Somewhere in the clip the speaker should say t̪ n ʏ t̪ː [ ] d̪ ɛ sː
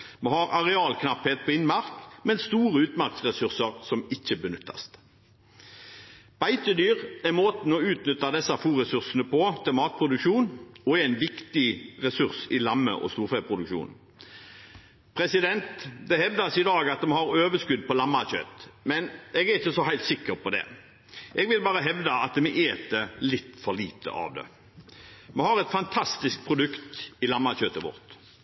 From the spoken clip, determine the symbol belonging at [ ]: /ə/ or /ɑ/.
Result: ɑ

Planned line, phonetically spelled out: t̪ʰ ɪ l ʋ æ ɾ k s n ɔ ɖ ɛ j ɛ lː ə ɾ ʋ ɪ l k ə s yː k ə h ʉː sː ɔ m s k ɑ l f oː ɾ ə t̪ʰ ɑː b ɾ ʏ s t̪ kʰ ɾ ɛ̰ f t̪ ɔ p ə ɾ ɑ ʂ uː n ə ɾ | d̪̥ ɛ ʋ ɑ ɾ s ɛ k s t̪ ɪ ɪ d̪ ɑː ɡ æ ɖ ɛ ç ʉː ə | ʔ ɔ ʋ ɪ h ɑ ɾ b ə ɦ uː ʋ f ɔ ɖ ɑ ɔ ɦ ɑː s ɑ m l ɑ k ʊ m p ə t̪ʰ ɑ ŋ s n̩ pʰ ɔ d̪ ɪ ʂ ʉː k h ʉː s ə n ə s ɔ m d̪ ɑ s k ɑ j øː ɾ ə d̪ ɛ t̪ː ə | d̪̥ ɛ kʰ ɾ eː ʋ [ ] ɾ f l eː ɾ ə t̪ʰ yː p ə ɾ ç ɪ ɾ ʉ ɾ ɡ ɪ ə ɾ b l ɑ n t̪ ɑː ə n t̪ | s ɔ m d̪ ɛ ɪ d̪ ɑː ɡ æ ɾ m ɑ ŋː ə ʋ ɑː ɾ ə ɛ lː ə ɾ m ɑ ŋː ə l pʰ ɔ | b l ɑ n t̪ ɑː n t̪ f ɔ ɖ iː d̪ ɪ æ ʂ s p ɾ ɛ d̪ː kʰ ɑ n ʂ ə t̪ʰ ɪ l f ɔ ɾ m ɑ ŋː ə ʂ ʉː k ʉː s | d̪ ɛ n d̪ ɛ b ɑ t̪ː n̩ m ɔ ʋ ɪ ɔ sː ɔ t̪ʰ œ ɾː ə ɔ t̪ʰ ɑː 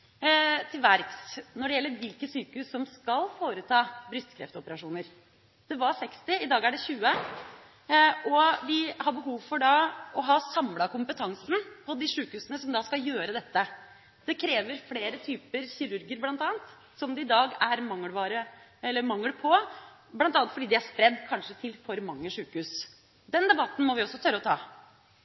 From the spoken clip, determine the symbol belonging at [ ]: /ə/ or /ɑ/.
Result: ə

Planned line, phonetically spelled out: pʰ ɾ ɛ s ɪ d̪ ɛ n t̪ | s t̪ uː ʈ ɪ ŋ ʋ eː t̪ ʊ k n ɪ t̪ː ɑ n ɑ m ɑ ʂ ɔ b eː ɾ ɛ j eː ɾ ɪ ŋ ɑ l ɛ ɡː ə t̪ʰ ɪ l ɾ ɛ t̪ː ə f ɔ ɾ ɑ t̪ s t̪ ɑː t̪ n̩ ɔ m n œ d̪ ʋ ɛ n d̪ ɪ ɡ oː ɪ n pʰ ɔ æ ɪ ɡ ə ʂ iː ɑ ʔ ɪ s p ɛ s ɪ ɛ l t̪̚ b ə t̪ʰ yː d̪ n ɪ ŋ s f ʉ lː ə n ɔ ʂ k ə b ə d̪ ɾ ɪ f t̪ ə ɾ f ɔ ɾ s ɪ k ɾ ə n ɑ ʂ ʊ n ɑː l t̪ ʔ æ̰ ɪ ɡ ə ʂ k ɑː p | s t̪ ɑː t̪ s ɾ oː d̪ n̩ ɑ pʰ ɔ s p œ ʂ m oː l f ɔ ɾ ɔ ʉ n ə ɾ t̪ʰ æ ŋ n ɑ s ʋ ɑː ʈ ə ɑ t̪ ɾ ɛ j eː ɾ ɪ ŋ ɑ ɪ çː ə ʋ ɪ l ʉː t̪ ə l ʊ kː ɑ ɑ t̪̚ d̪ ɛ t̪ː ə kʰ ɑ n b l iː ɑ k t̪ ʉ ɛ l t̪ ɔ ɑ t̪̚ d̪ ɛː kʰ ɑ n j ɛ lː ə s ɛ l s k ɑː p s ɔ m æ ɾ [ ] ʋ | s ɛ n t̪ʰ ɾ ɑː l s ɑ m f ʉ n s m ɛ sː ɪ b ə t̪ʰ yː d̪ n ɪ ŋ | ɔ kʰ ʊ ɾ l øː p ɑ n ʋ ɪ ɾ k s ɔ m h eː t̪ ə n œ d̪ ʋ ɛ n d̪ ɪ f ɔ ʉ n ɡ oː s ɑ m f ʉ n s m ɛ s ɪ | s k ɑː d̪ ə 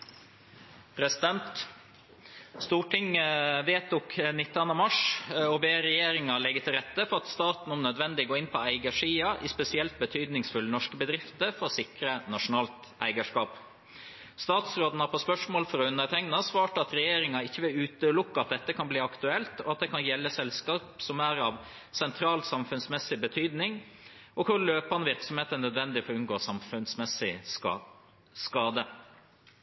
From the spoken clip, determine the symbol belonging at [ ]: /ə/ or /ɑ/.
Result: ɑ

